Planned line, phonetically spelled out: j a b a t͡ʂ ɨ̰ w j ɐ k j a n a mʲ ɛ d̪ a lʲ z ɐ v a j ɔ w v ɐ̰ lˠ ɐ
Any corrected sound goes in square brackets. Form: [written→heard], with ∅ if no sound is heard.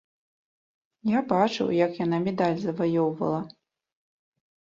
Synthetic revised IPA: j a b a t͡ʂ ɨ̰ w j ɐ k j a n a mʲ ɛ d̪ a lʲ z ɐ v a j ɔ w v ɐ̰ lˠ ɐ